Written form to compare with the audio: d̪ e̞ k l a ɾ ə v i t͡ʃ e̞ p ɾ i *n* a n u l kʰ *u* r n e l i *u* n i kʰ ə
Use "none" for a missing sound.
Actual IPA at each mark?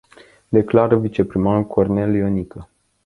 m, o, o

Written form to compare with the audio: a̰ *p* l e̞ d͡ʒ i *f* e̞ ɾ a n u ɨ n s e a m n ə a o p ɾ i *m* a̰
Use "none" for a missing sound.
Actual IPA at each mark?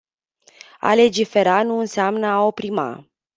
none, f, m

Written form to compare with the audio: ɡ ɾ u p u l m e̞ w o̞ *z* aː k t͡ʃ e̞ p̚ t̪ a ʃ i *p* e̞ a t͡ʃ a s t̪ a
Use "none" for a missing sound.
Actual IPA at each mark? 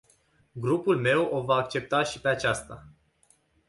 v, p

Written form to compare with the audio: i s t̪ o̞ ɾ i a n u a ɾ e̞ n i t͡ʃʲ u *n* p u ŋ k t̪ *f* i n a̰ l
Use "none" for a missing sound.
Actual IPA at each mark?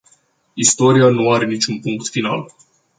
n, f

